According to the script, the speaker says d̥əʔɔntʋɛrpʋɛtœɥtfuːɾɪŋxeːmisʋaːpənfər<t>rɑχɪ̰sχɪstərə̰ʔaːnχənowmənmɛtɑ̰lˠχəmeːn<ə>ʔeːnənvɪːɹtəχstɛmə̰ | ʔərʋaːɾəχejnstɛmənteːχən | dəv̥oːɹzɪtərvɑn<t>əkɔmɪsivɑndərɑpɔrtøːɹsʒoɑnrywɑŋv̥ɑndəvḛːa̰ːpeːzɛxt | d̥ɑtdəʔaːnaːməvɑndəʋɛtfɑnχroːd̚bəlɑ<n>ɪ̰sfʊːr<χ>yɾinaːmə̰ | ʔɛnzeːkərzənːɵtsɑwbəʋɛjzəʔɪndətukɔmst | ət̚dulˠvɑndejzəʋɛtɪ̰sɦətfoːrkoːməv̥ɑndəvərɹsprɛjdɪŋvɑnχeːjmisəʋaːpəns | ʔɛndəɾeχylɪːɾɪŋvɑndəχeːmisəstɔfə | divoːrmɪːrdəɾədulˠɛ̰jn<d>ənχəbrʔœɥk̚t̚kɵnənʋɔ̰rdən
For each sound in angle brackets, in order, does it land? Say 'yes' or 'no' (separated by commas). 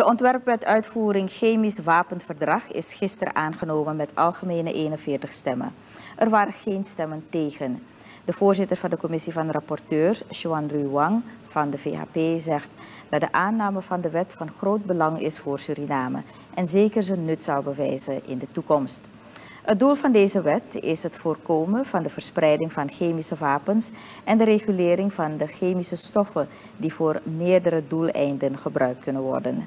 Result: no, yes, no, no, no, yes